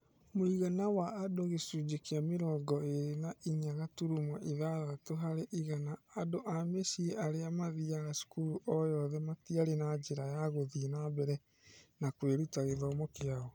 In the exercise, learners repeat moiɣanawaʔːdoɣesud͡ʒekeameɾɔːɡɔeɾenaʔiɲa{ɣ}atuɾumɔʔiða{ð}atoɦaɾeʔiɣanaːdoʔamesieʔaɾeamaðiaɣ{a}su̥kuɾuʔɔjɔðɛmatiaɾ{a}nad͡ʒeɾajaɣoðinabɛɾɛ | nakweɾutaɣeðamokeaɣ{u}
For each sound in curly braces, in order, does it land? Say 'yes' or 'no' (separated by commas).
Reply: yes, no, yes, no, no